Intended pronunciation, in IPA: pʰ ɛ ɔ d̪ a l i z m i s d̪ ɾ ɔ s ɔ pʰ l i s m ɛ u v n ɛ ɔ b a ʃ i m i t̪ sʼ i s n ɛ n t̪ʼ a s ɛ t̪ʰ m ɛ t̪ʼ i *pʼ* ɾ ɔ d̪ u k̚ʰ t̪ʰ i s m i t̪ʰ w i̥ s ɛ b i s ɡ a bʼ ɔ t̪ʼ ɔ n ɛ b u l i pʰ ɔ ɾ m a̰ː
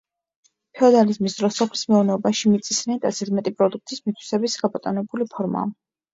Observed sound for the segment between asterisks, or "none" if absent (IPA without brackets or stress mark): pʼ